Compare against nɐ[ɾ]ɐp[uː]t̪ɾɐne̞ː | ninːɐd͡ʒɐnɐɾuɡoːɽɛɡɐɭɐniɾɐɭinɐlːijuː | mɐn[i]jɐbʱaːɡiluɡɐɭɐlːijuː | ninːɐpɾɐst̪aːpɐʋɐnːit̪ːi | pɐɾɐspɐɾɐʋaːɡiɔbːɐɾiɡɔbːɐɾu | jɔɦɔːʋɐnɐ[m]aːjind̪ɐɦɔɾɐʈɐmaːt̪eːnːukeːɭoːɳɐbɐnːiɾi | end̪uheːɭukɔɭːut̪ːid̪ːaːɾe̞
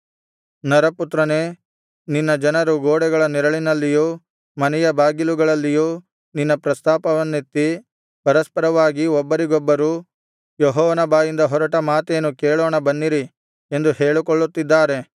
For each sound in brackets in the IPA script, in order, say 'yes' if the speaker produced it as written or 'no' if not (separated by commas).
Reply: yes, no, no, no